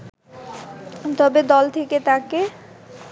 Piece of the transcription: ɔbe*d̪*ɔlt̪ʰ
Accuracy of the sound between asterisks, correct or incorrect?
correct